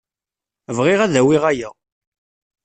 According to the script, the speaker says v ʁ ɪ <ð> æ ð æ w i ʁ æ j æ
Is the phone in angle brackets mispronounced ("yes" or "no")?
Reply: yes